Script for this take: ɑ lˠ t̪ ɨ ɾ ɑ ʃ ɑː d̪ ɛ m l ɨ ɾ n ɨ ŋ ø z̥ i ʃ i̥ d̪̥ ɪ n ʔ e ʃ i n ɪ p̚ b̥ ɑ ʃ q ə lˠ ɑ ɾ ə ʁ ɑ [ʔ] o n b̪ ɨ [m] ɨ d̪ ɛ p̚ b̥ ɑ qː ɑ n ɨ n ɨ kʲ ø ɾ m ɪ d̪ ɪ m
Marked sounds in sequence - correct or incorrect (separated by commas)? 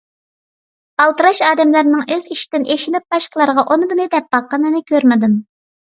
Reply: correct, incorrect